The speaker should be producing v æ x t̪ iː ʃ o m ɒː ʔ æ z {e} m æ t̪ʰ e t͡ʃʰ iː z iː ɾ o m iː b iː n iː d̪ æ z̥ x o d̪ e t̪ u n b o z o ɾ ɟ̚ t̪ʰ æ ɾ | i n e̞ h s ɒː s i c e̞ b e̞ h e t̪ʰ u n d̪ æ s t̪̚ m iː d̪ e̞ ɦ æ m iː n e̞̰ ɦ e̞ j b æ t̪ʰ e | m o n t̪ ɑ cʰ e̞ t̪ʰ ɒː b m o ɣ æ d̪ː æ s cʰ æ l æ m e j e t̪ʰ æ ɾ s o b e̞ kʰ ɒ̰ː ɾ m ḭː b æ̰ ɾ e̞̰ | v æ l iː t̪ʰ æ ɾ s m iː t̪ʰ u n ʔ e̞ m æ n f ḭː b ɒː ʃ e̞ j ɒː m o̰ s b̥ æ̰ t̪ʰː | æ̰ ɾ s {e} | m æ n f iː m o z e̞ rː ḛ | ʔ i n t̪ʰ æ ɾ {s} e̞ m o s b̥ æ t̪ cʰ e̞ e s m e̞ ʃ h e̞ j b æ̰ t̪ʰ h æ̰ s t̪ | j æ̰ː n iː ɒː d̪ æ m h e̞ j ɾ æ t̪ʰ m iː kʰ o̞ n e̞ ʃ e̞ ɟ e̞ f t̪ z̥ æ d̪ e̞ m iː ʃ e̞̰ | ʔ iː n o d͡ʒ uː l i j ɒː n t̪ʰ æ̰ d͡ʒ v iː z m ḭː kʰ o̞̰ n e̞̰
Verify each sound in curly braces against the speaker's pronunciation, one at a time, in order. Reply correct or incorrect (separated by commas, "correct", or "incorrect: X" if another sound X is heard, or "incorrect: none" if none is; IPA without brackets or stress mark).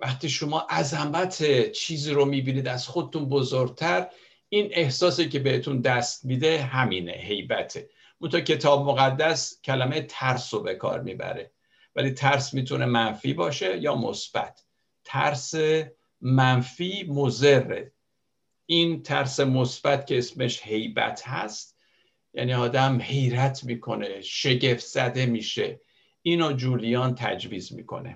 incorrect: æ, correct, correct